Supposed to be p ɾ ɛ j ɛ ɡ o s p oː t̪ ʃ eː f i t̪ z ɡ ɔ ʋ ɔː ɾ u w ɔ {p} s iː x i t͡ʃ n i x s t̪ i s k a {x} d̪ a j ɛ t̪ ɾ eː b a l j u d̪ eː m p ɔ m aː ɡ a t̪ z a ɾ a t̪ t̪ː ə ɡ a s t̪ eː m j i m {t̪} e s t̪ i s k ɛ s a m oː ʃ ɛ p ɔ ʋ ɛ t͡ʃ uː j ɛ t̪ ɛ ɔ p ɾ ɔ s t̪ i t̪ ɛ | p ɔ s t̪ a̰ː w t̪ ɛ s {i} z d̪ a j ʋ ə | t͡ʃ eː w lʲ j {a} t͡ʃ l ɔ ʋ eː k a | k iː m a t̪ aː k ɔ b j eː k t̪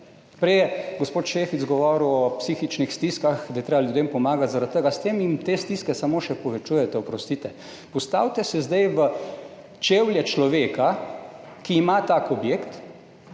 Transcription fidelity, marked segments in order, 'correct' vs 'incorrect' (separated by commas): correct, correct, correct, incorrect, incorrect